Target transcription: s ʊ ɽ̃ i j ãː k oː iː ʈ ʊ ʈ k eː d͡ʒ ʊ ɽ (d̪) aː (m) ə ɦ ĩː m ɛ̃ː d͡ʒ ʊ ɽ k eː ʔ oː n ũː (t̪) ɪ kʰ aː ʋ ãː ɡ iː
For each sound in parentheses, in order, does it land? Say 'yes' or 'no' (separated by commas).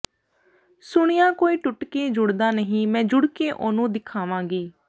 yes, no, no